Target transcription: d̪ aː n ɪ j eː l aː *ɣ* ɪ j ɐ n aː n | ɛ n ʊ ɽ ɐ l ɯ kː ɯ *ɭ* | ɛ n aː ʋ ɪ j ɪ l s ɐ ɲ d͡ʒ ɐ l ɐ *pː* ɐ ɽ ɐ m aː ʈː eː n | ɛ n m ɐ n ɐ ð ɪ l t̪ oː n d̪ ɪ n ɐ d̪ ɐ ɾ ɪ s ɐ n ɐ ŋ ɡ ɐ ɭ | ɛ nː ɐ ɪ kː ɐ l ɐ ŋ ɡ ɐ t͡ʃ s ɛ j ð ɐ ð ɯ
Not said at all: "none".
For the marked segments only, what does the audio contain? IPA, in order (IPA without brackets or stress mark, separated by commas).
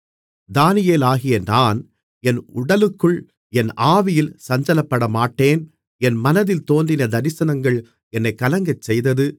ɣ, ɭ, pː